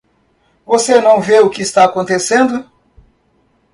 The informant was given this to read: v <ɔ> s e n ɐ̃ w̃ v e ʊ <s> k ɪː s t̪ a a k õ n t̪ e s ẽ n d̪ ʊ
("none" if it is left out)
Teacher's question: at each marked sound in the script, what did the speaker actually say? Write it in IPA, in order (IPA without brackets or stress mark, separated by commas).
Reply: o, none